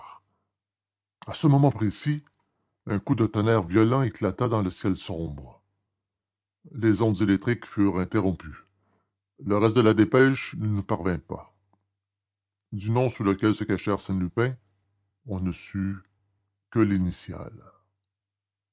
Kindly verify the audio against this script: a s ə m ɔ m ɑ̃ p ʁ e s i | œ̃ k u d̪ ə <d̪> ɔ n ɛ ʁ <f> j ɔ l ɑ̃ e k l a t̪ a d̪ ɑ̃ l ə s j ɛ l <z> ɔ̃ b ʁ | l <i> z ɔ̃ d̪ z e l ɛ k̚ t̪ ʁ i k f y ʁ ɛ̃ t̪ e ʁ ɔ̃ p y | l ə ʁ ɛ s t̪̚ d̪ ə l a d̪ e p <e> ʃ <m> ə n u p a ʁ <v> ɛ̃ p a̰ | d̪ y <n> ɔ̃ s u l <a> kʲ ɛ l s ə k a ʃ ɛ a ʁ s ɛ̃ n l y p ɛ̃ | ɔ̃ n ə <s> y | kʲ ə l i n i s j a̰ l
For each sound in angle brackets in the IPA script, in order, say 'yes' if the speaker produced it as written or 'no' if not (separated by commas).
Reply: no, no, no, no, no, no, yes, yes, no, yes